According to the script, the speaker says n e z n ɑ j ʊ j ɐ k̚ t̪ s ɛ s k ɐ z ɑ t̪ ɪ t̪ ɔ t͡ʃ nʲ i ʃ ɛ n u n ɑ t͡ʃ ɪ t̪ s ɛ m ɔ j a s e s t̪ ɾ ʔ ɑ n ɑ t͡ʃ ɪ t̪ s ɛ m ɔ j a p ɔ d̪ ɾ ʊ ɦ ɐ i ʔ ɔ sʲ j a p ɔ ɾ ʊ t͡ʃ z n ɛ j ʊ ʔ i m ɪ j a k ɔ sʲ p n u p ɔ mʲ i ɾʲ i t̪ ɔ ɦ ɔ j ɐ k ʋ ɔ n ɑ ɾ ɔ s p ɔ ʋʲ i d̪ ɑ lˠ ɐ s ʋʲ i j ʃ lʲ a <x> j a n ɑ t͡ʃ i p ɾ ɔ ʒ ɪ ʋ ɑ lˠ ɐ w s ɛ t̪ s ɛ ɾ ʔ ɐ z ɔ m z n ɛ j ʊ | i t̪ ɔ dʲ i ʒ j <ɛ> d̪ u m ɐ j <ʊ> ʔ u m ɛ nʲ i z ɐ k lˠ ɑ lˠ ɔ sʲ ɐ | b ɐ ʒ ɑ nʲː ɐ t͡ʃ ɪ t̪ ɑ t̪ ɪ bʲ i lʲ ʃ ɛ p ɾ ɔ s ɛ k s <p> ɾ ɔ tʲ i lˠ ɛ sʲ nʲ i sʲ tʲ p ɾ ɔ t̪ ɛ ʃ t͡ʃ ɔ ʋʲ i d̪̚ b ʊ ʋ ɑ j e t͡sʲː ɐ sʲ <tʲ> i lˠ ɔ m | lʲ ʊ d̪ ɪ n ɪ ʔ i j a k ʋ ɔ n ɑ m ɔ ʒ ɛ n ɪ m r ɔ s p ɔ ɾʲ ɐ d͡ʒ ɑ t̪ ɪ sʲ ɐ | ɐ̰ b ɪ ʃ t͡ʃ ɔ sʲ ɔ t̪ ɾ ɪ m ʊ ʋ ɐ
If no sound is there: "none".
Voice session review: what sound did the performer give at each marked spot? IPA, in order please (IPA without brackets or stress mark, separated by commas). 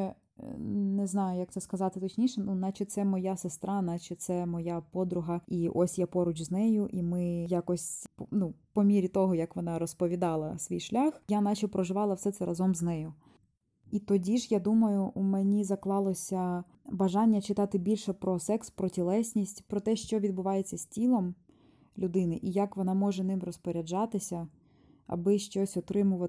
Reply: x, a, ʊ, p, tʲ